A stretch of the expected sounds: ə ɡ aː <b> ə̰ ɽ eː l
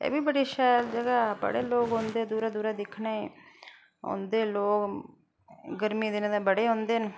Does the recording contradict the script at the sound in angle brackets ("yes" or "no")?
no